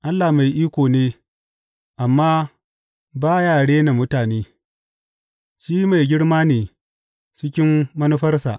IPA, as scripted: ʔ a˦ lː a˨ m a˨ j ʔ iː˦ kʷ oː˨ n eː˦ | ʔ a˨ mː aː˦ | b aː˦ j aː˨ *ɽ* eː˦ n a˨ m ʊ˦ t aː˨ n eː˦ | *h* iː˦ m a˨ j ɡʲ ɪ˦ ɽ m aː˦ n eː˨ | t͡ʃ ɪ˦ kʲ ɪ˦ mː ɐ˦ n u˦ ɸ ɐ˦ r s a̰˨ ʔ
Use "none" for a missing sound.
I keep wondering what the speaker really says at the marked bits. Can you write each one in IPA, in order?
ɽ, ʃ

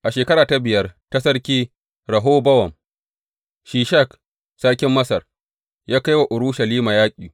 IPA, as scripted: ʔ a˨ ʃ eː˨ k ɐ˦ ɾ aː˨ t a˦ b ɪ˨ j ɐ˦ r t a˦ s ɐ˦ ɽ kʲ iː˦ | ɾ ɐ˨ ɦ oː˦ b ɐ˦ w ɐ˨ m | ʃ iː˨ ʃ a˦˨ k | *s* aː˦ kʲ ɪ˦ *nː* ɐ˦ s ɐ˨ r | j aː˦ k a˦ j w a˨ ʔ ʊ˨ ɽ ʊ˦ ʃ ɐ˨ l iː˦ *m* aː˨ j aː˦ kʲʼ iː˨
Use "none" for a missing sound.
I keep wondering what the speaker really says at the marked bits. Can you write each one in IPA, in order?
s, mː, m

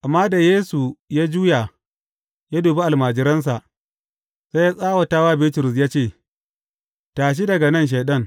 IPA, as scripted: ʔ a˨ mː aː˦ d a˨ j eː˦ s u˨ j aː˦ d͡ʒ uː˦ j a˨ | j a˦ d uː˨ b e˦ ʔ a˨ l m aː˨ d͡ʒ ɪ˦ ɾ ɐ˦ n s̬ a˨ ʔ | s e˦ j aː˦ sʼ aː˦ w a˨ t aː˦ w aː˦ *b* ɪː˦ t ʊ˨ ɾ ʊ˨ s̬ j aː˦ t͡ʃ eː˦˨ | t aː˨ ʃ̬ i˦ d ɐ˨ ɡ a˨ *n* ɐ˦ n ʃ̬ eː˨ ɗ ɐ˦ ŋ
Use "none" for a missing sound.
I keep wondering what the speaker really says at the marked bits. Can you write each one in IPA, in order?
b, n

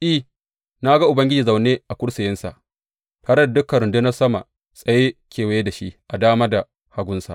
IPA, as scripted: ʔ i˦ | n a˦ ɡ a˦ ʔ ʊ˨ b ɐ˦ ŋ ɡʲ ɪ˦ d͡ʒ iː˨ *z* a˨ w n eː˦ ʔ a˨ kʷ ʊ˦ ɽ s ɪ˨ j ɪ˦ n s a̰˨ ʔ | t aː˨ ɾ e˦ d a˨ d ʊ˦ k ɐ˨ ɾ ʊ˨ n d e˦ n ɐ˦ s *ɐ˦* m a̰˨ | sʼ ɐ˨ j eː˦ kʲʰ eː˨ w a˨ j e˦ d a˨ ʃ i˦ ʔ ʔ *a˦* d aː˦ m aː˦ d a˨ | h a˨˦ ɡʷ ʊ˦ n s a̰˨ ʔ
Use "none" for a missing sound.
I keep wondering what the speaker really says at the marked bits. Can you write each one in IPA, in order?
z, ɐ˦, a˨

